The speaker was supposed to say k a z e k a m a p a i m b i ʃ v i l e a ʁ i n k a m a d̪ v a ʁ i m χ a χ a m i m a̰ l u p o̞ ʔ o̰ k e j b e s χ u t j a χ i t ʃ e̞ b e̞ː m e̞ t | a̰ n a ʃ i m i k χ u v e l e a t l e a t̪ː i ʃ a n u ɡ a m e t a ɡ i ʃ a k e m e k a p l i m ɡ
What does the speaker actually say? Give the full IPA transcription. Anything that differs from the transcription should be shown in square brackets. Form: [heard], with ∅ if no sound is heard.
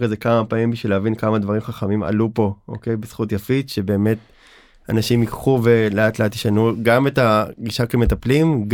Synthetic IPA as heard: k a z e k a m a p a i m b i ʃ v i l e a [v] i n k a m a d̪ v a ʁ i m χ a χ a m i m a̰ l u p o̞ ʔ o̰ k e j b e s χ u t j a [f] i t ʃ e̞ b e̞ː m e̞ t | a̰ n a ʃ i m i k χ u v e l e a t l e a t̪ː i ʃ a n u ɡ a m e t a ɡ i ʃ a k e m e [t] a p l i m ɡ